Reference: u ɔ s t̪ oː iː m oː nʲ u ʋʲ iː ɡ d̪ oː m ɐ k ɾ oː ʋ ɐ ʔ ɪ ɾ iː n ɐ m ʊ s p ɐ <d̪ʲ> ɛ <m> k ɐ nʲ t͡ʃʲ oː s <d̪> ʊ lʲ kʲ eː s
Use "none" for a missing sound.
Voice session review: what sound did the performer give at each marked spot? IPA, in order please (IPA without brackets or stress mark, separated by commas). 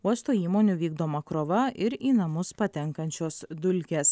t̪ʲ, ŋ, d̪